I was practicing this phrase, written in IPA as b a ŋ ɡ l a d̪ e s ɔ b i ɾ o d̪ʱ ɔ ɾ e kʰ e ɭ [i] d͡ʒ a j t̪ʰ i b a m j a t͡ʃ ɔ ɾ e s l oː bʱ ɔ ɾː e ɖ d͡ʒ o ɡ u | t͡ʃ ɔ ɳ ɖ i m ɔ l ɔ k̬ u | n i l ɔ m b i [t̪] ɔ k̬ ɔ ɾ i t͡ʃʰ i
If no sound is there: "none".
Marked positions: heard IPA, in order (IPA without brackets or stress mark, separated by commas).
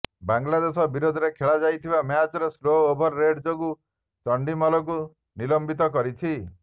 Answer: a, t̪